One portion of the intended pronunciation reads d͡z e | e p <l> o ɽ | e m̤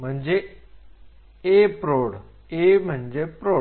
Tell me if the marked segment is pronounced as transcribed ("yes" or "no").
no